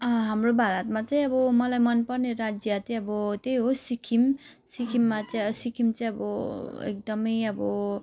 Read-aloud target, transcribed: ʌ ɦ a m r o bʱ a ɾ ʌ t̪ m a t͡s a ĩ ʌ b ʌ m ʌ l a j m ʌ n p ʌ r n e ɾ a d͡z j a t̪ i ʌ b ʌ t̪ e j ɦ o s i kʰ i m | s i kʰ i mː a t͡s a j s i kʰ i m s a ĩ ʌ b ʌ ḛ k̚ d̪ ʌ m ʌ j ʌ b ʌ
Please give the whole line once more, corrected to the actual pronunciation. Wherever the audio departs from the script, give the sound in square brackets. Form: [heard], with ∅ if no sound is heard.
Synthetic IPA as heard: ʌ ɦ a m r o bʱ a ɾ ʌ t̪ m a t͡s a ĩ ʌ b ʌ m ʌ l a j m ʌ n p ʌ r n e ɾ a d͡z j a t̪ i ʌ b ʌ t̪ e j ɦ o s i kʰ i m | s i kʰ i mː a t͡s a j s i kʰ i m [t͡s] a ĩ ʌ b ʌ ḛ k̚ d̪ ʌ m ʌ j ʌ b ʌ